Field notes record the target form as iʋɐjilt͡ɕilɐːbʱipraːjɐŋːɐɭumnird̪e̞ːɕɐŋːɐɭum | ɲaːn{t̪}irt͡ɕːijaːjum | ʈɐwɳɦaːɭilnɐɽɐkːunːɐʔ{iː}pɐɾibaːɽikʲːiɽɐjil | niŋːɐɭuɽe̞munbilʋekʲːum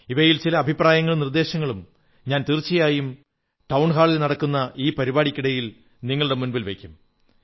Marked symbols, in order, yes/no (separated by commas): yes, yes